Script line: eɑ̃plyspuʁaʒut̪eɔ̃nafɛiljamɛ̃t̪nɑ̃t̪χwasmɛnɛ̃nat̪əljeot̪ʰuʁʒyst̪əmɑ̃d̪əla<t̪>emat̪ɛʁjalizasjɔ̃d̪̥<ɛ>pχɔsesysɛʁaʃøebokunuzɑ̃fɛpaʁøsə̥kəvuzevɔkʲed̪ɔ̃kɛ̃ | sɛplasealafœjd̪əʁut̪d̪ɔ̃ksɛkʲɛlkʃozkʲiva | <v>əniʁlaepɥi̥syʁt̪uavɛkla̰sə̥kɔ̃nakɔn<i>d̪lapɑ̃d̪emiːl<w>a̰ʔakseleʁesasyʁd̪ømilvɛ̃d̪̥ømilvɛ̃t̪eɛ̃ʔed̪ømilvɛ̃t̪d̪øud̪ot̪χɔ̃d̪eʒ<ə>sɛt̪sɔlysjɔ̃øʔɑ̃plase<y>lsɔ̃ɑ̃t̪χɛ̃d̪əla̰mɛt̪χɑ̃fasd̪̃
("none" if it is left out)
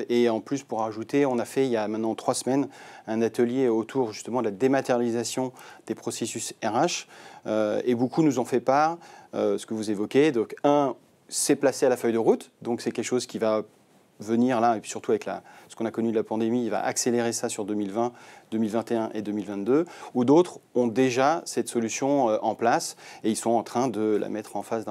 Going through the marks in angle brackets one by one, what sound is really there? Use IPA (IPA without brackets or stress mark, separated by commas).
d̪, e, v, y, v, a, i